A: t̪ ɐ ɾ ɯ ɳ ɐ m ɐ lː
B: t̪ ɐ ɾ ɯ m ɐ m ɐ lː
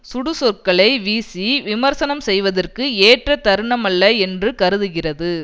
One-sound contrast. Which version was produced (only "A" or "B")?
A